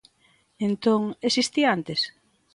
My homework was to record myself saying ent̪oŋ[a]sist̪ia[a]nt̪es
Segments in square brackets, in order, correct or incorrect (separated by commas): incorrect, correct